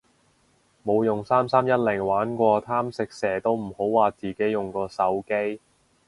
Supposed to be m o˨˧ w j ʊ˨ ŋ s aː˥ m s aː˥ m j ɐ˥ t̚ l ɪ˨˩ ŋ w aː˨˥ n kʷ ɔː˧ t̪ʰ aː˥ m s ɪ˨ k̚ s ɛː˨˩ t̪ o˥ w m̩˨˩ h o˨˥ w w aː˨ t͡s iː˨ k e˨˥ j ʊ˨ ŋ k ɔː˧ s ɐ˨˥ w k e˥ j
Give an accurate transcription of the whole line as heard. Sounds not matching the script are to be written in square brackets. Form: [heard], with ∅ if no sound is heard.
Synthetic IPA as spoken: m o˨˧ w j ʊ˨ ŋ s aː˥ m s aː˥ m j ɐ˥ t̚ l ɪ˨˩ ŋ w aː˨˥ n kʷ ɔː˧ t̪ʰ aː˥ m s ɪ˨ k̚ s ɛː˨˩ t̪ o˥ w m̩˨˩ h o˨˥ w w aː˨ t͡s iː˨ k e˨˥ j ʊ˨ ŋ k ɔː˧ s ɐ˨˥ w k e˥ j